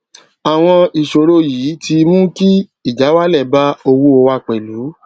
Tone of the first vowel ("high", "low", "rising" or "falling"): low